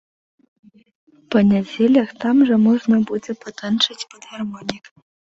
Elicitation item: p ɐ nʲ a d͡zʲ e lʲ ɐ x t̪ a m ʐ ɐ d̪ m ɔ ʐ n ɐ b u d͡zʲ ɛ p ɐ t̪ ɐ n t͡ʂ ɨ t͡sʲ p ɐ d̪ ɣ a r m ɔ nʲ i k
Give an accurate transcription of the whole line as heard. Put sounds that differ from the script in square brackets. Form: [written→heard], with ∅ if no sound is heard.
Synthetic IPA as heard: p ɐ nʲ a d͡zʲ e lʲ ɐ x t̪ a m ʐ ɐ [d̪→∅] m ɔ ʐ n ɐ b u d͡zʲ ɛ p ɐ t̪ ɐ n t͡ʂ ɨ t͡sʲ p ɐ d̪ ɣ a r m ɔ nʲ i k